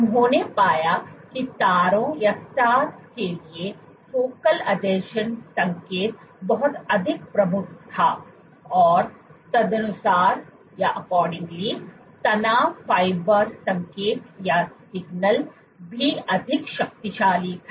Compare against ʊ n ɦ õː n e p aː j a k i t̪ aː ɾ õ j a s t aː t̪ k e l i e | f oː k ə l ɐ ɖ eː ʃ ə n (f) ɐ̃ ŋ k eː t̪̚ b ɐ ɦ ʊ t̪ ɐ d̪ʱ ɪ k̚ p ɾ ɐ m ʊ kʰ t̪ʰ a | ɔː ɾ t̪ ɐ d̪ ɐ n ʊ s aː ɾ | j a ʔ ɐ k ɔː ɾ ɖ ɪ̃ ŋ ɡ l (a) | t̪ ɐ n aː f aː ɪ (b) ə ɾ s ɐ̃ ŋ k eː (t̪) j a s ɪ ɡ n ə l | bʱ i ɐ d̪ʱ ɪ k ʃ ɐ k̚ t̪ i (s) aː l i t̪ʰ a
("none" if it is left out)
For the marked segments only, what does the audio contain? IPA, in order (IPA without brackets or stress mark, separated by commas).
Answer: s, i, b, t̪, ʃ